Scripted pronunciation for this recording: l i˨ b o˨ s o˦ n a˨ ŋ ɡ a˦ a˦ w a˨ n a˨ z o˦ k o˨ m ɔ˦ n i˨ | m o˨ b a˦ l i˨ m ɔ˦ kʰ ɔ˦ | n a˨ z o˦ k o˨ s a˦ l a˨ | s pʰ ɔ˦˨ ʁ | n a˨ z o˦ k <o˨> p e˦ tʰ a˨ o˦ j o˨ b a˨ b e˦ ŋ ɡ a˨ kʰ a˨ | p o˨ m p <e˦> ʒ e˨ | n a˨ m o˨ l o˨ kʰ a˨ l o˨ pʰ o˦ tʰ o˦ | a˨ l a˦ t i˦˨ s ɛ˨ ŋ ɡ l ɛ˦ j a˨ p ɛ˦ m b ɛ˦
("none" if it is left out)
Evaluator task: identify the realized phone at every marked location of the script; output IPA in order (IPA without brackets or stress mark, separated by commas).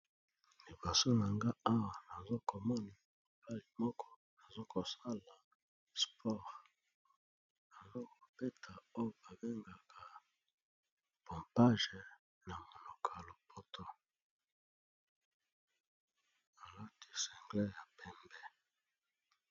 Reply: o˨, a˦